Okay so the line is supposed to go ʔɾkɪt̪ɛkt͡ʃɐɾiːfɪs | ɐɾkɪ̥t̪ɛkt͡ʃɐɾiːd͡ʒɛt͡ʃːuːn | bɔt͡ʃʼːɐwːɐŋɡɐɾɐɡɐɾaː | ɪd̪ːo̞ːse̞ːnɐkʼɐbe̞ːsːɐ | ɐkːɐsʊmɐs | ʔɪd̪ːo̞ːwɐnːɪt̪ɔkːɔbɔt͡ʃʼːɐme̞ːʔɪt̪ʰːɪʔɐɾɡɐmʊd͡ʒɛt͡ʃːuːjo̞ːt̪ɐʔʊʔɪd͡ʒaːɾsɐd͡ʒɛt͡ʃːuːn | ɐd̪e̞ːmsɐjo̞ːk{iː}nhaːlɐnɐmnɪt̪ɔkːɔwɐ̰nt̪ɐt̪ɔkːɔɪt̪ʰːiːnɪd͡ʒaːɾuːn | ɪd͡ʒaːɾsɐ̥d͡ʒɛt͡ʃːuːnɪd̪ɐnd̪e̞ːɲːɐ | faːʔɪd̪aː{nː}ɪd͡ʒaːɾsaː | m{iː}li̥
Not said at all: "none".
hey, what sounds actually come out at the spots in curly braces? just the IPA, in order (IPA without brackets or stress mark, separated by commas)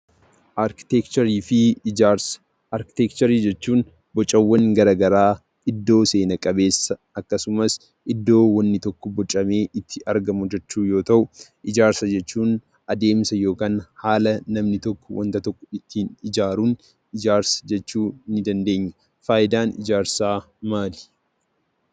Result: aː, n, aː